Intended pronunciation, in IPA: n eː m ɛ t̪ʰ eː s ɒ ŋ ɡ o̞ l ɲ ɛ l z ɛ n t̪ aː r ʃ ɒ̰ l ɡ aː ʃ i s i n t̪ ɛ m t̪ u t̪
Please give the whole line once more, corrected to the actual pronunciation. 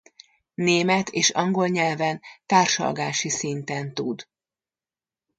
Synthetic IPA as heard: n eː m ɛ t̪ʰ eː ʃ ɒ ŋ ɡ o̞ l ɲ ɛ l v ɛ n t̪ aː r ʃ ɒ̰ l ɡ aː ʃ i s i n t̪ ɛ n t̪ u d̪